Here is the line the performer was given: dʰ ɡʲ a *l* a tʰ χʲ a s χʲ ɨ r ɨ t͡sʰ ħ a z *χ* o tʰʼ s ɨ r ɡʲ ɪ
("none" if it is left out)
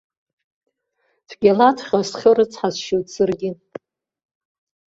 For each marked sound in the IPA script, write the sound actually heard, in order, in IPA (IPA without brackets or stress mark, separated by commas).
l, ʃ